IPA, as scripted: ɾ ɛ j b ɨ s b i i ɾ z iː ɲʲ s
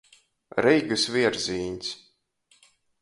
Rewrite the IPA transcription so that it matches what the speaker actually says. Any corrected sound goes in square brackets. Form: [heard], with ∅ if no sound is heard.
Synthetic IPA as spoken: ɾ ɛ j [ɡ] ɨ s [v] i [ɛ] ɾ z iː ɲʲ s